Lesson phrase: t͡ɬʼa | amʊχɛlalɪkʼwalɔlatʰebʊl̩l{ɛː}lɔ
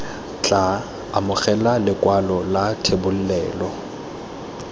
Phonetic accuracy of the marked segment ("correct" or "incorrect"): correct